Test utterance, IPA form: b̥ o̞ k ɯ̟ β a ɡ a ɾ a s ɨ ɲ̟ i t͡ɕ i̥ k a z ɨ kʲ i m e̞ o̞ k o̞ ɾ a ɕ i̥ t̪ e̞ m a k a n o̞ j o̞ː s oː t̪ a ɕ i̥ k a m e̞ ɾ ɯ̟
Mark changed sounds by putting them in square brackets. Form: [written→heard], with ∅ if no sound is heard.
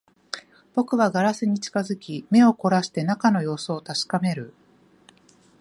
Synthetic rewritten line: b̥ o̞ k ɯ̟ β a ɡ a ɾ a s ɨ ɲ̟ i t͡ɕ i̥ k a z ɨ kʲ i m e̞ o̞ k o̞ ɾ a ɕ i̥ t̪ e̞ [m→n] a k a n o̞ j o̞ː s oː t̪ a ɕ i̥ k a m e̞ ɾ ɯ̟